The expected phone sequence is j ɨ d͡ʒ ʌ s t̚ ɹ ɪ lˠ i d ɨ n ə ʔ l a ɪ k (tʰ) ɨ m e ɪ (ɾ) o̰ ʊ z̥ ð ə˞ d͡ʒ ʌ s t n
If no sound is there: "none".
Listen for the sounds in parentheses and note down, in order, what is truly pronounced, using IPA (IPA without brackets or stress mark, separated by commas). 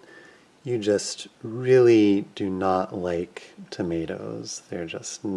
tʰ, ɾ